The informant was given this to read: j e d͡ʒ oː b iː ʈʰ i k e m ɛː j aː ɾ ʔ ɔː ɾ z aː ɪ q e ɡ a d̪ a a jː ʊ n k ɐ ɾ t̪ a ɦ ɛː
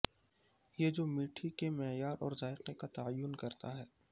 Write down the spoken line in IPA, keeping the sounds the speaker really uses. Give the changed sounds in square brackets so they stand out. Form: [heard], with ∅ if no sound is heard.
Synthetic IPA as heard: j e d͡ʒ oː [m] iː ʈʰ i k e m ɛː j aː ɾ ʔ ɔː ɾ z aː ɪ q e [k] a [t̪] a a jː ʊ n k ɐ ɾ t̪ a ɦ ɛː

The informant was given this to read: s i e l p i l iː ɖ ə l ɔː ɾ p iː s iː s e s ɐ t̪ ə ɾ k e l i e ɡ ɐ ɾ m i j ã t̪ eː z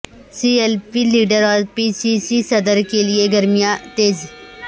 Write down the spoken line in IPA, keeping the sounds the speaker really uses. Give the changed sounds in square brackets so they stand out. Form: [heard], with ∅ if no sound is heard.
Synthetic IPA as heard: s i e l p i l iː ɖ ə [ɾ] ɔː ɾ p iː s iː s [i] s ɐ [d̪] ə ɾ k e l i e ɡ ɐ ɾ m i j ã t̪ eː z

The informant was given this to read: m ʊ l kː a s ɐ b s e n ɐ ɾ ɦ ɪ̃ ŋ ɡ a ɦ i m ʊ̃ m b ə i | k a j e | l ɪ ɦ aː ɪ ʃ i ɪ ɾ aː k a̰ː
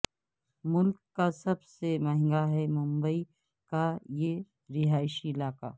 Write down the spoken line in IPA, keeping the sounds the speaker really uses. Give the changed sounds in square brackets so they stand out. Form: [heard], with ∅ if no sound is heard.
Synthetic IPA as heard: m ʊ l kː a s ɐ b s e [m] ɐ [∅] ɦ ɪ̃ ŋ ɡ a ɦ [ɛ] m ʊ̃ m b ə i | k a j e | [ɾ] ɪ ɦ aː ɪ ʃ i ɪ [l] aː k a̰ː

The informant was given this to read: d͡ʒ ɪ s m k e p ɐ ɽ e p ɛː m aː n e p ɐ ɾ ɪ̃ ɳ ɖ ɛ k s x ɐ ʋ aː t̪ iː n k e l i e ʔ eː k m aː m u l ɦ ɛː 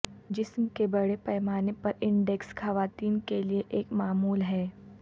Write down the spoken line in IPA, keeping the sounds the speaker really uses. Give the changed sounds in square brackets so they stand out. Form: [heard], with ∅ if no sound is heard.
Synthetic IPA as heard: d͡ʒ ɪ s m k e [b] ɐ ɽ e p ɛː m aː n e p ɐ ɾ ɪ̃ ɳ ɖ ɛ k s x ɐ ʋ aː t̪ iː n k e l i e ʔ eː k m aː m [uː] l ɦ ɛː

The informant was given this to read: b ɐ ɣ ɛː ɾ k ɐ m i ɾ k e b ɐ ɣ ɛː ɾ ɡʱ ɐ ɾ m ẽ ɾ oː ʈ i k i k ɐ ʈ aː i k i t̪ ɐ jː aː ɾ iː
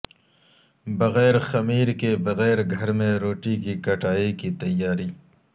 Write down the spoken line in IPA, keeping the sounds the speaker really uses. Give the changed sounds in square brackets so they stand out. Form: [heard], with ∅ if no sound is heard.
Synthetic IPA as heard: b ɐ ɣ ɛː ɾ [x] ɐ m [iː] ɾ k e b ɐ ɣ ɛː ɾ ɡʱ ɐ ɾ m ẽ ɾ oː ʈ i k i k ɐ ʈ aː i k i t̪ ɐ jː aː ɾ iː

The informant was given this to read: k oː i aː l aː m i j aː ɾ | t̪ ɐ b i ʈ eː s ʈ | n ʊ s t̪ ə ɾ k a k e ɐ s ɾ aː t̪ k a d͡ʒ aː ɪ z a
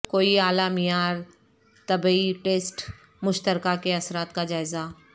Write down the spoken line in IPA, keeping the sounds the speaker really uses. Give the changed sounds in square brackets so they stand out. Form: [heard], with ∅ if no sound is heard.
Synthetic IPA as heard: k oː i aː l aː m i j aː ɾ | t̪ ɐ b i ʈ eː s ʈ | [m] ʊ [ʃ] t̪ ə ɾ k a k e ɐ s ɾ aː t̪ k a d͡ʒ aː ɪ z a

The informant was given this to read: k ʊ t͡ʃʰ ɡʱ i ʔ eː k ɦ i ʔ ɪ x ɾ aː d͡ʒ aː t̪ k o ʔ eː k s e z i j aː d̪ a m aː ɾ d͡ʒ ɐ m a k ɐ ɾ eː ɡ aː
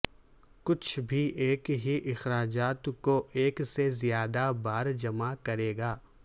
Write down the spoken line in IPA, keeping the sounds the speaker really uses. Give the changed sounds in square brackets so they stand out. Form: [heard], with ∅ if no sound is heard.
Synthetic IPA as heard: k ʊ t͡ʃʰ [bʱ] i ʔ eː k ɦ i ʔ ɪ x ɾ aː d͡ʒ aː t̪ k o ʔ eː k s e z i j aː d̪ a [b] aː ɾ d͡ʒ ɐ m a k ɐ ɾ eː ɡ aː

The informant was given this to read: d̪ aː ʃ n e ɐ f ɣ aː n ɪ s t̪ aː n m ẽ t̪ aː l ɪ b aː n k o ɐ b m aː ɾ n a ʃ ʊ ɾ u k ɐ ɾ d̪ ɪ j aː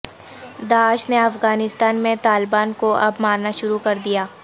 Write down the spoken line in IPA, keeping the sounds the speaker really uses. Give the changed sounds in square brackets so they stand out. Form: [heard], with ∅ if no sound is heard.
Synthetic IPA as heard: d̪ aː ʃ n e ɐ f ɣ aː n ɪ s t̪ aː n m ẽ t̪ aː l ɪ b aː n k o ɐ b m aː ɾ n a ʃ ʊ ɾ u k ɐ ɾ d̪ [i] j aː

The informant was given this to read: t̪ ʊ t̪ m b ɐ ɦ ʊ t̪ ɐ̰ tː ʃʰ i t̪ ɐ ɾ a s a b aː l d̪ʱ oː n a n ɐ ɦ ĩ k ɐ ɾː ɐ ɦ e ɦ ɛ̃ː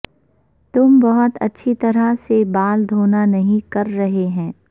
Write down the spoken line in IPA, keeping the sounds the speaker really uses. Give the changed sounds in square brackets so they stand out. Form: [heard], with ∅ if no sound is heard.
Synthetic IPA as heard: t̪ ʊ [∅] m b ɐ ɦ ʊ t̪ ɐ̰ tː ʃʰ i t̪ ɐ ɾ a s [e] b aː l d̪ʱ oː n a n ɐ ɦ ĩ k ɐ ɾː ɐ ɦ e ɦ ɛ̃ː

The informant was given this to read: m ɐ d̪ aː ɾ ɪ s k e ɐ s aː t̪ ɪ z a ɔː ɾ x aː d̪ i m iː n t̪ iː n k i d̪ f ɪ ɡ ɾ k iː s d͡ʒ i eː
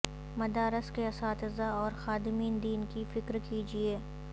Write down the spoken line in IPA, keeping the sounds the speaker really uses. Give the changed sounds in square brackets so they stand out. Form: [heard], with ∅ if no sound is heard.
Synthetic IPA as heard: m ɐ d̪ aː ɾ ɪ s k e ɐ s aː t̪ ɪ z a ɔː ɾ x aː d̪ [ɪ] m iː n [d̪] iː n k i [∅] f ɪ [k] ɾ k iː [∅] d͡ʒ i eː

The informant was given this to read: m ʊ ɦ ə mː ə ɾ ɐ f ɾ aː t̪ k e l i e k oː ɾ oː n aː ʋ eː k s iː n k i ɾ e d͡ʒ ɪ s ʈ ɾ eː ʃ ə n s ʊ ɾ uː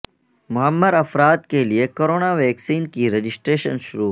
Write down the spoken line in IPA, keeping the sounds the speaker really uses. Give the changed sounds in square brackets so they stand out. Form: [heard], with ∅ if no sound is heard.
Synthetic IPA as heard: m ʊ ɦ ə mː ə ɾ ɐ f ɾ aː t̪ k e l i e k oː ɾ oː n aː ʋ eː k s iː n k i ɾ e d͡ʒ ɪ s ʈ ɾ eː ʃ ə n [ʃ] ʊ ɾ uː

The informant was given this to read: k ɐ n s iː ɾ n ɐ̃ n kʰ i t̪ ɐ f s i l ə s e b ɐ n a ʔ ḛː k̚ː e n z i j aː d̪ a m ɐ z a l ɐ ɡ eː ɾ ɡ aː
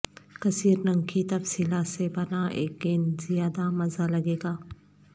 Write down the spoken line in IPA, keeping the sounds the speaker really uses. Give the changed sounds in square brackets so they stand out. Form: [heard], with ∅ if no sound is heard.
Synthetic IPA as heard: k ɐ [∅] s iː ɾ n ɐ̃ [ŋ] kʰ i t̪ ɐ f s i l [a] s e b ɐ n a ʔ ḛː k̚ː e n z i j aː d̪ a m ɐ z a l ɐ ɡ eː [∅] ɡ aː

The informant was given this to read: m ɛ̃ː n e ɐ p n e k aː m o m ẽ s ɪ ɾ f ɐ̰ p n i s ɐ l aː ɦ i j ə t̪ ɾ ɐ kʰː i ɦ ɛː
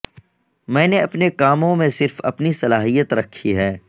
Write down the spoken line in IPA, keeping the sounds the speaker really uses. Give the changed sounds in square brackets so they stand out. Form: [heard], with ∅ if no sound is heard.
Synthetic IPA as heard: m ɛ̃ː n e ɐ p n e k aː m [õ] m ẽ s ɪ ɾ f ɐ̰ p n i s ɐ l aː ɦ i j ə t̪ ɾ ɐ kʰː i ɦ ɛː

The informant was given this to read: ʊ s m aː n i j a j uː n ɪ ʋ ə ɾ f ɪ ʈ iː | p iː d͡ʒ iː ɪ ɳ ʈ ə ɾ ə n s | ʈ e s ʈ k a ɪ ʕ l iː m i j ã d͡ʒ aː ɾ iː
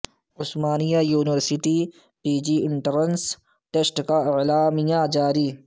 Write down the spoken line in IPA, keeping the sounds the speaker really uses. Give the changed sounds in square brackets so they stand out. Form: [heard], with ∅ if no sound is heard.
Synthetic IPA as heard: ʊ s m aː n i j a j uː n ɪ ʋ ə ɾ [s] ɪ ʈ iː | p iː d͡ʒ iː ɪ ɳ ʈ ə ɾ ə n s | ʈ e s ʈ k a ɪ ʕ l [aː] m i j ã d͡ʒ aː ɾ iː

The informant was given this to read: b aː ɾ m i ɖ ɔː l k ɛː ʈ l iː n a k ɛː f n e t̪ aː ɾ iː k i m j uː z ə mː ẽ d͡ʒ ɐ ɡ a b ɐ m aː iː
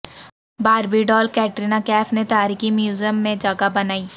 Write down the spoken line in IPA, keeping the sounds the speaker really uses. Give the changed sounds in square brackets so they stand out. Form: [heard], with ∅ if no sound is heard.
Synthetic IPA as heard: b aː ɾ [b] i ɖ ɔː l k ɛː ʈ [ɾ] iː n a k ɛː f n e t̪ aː ɾ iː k i m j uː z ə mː ẽ d͡ʒ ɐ ɡ a b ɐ [n] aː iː

